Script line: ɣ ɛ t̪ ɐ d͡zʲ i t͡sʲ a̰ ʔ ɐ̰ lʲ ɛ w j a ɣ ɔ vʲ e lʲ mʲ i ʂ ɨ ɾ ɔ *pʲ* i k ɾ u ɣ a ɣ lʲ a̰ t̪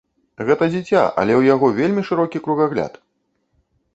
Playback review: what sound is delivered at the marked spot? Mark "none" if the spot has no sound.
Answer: kʲ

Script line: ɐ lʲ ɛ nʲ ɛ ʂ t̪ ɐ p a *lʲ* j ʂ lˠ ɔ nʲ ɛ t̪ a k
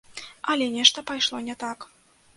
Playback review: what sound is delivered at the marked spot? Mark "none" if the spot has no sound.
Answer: none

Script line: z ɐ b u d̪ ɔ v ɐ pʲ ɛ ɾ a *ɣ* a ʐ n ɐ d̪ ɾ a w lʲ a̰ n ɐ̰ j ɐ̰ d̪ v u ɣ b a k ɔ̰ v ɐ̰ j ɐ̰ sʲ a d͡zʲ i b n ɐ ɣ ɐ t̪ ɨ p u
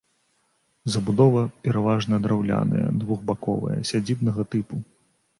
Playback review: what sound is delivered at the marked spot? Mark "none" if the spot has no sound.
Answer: v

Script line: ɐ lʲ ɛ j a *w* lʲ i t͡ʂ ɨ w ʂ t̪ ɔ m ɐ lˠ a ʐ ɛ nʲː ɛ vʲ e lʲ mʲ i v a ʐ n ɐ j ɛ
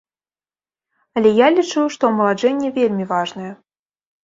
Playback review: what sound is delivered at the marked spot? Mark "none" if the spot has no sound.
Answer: none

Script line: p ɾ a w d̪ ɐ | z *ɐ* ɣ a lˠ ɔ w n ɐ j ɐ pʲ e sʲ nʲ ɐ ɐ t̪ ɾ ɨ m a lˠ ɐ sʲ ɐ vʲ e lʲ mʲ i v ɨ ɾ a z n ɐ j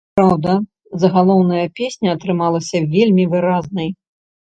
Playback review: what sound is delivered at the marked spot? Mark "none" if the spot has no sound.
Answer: ɐ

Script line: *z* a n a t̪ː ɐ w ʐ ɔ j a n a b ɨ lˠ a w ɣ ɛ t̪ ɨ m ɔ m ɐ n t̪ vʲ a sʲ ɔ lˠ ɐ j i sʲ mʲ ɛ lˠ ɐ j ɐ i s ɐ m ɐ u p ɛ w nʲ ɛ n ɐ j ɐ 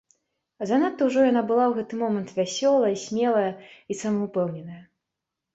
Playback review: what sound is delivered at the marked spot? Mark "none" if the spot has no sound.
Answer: z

